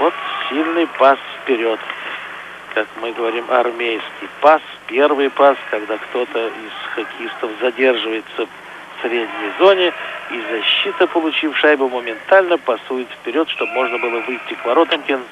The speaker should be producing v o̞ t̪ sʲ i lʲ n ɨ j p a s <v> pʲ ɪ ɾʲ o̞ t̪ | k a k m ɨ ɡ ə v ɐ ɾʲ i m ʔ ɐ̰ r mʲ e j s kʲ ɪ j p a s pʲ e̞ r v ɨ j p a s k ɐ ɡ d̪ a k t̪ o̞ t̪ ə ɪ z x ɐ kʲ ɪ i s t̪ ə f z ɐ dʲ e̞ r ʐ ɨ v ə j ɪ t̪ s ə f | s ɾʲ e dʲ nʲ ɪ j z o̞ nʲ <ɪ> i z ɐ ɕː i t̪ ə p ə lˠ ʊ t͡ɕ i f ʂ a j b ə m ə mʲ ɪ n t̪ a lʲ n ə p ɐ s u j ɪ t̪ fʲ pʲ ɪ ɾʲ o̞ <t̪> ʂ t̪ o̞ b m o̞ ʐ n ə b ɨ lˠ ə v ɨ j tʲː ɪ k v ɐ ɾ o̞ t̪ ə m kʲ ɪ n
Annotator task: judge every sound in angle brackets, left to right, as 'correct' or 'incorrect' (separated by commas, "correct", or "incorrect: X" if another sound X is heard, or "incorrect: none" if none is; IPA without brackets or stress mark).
incorrect: f, correct, correct